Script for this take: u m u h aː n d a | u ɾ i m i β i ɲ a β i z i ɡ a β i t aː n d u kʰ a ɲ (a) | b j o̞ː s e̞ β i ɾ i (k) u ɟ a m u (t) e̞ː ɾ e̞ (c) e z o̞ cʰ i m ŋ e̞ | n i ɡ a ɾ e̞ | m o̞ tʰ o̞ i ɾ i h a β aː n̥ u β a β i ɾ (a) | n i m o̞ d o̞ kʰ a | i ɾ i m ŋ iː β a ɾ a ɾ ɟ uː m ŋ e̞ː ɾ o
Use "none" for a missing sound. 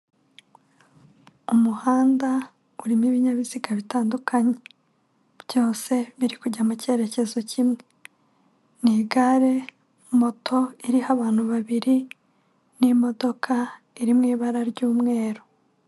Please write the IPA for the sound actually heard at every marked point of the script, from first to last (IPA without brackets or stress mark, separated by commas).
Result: e, k, c, c, i